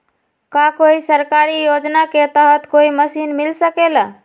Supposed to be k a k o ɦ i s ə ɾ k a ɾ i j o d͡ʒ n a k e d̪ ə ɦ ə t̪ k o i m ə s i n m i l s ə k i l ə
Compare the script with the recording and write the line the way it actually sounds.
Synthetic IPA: k a k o i s ə ɾ k a ɾ i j o d͡ʒ n a k e t̪ ə ɦ ə t̪ k o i m ə s i n m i l s ə k e l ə